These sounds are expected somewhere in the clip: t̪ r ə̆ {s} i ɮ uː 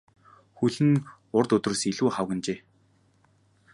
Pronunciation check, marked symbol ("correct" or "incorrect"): correct